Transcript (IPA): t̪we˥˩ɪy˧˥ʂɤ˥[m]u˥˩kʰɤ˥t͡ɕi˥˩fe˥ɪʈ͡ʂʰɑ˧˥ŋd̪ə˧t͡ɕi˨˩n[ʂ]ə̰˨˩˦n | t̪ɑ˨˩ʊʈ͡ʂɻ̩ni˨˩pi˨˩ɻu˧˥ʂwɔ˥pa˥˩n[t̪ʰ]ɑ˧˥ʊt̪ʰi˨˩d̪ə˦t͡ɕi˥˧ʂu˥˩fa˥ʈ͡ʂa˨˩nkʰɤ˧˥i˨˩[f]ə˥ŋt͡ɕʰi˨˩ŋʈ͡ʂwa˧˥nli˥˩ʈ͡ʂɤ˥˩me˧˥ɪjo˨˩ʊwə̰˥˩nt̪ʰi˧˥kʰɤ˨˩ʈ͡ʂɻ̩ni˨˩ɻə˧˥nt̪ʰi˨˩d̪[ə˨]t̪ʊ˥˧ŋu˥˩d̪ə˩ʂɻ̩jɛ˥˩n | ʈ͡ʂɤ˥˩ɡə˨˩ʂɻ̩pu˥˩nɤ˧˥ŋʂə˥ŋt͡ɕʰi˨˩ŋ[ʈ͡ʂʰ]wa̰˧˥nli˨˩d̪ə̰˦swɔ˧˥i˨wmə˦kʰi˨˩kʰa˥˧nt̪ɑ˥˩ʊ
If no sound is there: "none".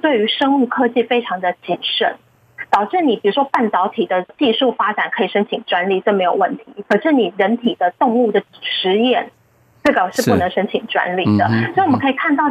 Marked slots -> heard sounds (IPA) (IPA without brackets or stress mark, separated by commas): ŋ, ʂ, t̪, ʂ, ə˦, ʈ͡ʂ